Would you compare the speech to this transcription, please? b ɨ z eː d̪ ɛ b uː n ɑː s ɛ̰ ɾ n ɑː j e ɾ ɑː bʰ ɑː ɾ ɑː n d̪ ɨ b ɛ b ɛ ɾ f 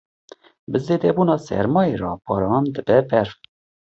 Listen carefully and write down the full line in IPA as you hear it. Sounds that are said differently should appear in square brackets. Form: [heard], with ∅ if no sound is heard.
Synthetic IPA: b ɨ z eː d̪ ɛ b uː n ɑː s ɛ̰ ɾ [m] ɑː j e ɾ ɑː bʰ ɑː ɾ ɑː n d̪ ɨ b ɛ b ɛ ɾ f